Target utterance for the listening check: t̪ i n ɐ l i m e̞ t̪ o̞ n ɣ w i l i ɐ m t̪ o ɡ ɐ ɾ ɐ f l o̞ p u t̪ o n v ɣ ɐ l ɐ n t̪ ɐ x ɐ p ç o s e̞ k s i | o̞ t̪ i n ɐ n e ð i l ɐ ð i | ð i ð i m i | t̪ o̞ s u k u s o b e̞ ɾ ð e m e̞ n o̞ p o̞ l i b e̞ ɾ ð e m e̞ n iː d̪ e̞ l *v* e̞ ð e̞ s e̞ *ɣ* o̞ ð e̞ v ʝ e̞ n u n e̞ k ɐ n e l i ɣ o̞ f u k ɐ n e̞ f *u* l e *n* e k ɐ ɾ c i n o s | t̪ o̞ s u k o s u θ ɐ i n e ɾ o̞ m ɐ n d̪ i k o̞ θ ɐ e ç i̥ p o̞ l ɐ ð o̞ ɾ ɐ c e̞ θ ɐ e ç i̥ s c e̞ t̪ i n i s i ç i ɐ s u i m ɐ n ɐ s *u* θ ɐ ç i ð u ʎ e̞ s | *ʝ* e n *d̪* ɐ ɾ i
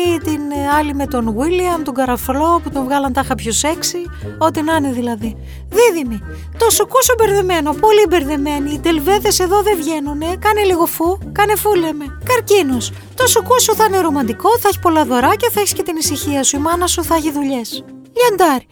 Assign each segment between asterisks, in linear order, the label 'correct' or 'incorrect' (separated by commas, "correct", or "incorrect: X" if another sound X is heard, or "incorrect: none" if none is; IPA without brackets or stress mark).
correct, incorrect: ð, correct, incorrect: m, correct, incorrect: ʎ, correct